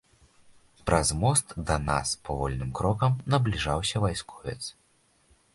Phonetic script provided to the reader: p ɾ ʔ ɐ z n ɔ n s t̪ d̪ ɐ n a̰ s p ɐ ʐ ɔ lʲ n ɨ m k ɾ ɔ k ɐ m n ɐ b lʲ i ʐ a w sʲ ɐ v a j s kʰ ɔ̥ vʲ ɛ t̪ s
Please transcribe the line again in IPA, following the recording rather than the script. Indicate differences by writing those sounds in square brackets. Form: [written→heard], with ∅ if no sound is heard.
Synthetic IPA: p ɾ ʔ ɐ z [n→m] ɔ [n→∅] s t̪ d̪ ɐ n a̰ s p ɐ [ʐ→v] ɔ lʲ n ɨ m k ɾ ɔ k ɐ m n ɐ b lʲ i ʐ a w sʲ ɐ v a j s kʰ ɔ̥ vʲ ɛ t̪ s